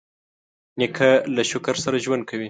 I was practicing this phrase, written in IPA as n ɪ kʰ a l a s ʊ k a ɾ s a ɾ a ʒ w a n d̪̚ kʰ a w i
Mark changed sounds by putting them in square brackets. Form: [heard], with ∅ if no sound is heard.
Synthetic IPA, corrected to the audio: n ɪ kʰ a l a [ʃ] ʊ k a ɾ s a ɾ a ʒ w a n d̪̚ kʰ a w i